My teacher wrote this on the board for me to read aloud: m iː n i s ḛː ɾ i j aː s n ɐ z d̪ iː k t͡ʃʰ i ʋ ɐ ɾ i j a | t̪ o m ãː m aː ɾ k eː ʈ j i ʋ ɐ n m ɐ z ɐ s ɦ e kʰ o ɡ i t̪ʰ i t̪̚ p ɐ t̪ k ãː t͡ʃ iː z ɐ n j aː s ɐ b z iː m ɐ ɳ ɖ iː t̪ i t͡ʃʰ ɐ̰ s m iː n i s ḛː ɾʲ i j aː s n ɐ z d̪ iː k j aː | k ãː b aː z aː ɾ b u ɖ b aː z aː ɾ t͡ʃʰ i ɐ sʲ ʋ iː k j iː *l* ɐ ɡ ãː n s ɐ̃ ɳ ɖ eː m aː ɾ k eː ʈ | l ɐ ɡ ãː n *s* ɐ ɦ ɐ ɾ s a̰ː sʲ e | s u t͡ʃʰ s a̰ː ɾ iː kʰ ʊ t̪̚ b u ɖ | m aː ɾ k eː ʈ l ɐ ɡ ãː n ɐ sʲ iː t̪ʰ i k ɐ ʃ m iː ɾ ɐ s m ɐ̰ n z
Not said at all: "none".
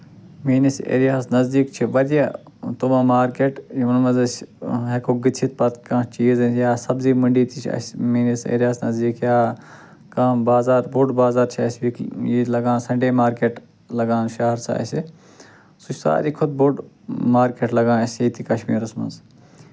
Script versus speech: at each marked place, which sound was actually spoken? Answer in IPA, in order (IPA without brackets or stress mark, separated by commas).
l, ʃ